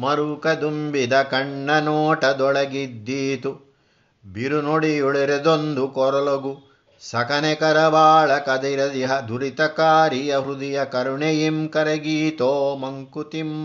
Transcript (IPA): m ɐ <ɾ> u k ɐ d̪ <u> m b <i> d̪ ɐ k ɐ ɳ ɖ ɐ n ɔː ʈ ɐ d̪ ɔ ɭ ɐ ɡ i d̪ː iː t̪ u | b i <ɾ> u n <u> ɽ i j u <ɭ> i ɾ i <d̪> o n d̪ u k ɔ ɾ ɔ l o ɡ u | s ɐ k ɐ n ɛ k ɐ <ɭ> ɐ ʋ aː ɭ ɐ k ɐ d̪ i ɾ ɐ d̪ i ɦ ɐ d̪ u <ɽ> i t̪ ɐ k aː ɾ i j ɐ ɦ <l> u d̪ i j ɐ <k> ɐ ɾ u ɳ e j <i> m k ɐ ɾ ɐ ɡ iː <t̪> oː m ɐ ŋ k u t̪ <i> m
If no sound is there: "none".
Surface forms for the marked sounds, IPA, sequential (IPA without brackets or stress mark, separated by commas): ɾ, u, i, ɾ, o, ɭ, d̪, ɾ, ɾ, ɾ, k, i, t̪, i